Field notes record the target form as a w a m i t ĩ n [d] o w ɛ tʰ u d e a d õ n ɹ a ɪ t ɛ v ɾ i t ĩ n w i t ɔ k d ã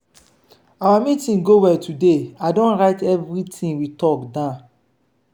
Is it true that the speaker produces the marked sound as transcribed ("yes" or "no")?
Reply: no